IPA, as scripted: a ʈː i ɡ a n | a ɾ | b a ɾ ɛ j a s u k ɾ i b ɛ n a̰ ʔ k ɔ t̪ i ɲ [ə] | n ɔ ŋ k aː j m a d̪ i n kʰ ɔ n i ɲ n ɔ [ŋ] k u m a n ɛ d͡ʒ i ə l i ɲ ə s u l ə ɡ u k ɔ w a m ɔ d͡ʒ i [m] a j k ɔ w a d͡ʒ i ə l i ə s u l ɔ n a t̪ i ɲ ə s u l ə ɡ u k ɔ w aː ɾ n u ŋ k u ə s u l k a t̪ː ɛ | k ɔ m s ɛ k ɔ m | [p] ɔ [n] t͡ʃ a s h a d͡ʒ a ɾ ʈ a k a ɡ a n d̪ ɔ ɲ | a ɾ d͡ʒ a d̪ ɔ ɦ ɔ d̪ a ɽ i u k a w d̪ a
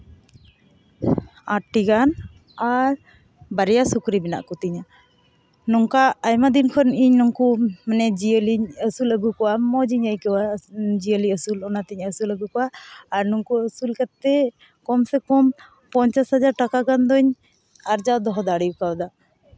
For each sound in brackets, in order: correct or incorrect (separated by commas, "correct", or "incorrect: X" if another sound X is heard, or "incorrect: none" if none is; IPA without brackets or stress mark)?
incorrect: a, correct, incorrect: ɲ, correct, incorrect: ɲ